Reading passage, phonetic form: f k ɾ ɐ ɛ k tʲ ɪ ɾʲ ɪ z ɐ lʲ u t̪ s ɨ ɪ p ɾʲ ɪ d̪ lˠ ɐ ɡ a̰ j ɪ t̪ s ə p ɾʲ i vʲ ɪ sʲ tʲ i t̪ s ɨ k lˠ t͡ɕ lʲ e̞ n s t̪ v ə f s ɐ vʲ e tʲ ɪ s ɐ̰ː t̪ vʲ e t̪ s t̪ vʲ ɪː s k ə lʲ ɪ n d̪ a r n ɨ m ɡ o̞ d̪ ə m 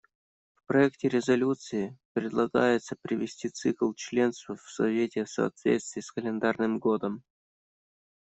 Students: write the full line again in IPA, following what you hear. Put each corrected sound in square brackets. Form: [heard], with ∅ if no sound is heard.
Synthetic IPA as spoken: f [p] ɾ ɐ ɛ k tʲ ɪ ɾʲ ɪ z ɐ lʲ u t̪ s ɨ ɪ p ɾʲ ɪ d̪ lˠ ɐ ɡ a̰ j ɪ t̪ s ə p ɾʲ [ɪ] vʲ ɪ sʲ tʲ i t̪ s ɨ k lˠ t͡ɕ lʲ e̞ n s t̪ v ə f s ɐ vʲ e tʲ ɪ s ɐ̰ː t̪ vʲ e t̪ s t̪ vʲ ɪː s k ə lʲ ɪ n d̪ a r n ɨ m ɡ o̞ d̪ ə m

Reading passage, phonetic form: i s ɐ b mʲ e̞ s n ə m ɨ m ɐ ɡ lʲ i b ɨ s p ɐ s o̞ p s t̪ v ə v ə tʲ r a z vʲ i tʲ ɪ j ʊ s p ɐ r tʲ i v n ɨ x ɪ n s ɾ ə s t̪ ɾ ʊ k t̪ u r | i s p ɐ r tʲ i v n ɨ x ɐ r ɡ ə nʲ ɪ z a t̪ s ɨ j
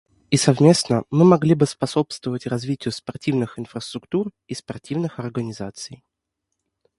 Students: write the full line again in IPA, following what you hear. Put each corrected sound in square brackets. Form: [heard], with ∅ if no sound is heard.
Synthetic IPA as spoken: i s ɐ [v] mʲ e̞ s n ə m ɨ m ɐ ɡ lʲ i b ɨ s p ɐ s o̞ p s t̪ v ə v ə tʲ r [ɐ] z vʲ i tʲ ɪ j ʊ s p ɐ r tʲ i v n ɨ x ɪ n [f] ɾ ə s t̪ ɾ ʊ k t̪ u r | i s p ɐ r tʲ i v n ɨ x ɐ r ɡ ə nʲ ɪ z a t̪ s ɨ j

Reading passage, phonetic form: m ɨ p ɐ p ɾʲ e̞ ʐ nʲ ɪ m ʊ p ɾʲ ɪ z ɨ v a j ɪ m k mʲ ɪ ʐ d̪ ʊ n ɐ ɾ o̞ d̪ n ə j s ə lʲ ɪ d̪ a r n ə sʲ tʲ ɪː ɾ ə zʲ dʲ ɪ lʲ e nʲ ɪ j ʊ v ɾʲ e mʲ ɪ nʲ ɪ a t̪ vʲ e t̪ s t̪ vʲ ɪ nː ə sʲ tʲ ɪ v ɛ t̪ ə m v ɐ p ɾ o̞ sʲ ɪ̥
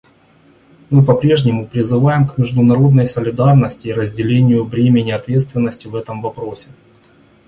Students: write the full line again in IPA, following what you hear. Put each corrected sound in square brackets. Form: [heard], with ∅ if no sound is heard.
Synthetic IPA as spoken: m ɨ p ɐ p ɾʲ e̞ ʐ nʲ ɪ m ʊ p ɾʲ ɪ z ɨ v a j ɪ m k mʲ ɪ ʐ d̪ ʊ n ɐ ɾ o̞ d̪ n ə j s ə lʲ ɪ d̪ a r n ə sʲ tʲ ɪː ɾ ə zʲ dʲ ɪ lʲ e nʲ ɪ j ʊ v ɾʲ e mʲ ɪ nʲ ɪ [ɐ] t̪ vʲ e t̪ s t̪ vʲ ɪ nː ə sʲ tʲ ɪ v ɛ t̪ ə m v ɐ p ɾ o̞ sʲ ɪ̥

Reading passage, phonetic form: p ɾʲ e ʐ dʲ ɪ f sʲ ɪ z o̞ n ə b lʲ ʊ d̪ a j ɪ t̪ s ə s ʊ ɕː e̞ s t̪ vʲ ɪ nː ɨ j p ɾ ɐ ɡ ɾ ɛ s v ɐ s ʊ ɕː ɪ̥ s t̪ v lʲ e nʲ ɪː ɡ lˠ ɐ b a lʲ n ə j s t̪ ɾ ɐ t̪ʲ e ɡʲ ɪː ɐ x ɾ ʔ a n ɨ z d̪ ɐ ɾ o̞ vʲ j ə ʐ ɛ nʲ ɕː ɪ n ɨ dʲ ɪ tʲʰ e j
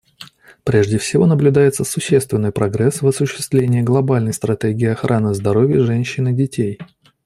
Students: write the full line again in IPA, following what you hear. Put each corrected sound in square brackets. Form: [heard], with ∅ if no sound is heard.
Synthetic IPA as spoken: p ɾʲ e ʐ dʲ ɪ f sʲ ɪ [v] o̞ n ə b lʲ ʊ d̪ a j ɪ t̪ s ə s ʊ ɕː e̞ s t̪ vʲ ɪ nː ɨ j p ɾ ɐ ɡ ɾ ɛ s v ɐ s ʊ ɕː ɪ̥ s t̪ v lʲ e nʲ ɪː ɡ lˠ ɐ b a lʲ n ə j s t̪ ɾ ɐ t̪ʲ e ɡʲ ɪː ɐ x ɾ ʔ a n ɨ z d̪ ɐ ɾ o̞ vʲ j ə ʐ ɛ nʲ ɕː ɪ n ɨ dʲ ɪ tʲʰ e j

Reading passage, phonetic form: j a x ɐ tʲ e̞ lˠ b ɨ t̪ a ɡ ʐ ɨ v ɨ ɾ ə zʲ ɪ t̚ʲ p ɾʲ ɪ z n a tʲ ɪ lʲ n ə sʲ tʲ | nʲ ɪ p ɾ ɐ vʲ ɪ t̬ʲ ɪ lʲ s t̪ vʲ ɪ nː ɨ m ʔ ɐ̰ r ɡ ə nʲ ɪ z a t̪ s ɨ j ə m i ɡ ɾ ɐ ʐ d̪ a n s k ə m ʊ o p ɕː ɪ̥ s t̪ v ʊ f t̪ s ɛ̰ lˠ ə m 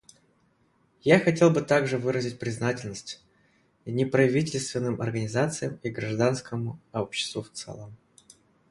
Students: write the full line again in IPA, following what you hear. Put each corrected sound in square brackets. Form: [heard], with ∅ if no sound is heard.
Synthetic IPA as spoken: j a x ɐ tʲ e̞ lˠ b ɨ t̪ a ɡ ʐ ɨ v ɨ ɾ ə zʲ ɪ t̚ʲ p ɾʲ ɪ z n a tʲ ɪ lʲ n ə sʲ tʲ | nʲ ɪ p ɾ ɐ vʲ [i] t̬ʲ ɪ lʲ s t̪ vʲ ɪ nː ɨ m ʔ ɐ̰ r ɡ ə nʲ ɪ z a t̪ s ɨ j ə m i ɡ ɾ ɐ ʐ d̪ a n s k ə m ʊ o p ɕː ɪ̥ s t̪ v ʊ f t̪ s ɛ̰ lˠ ə m

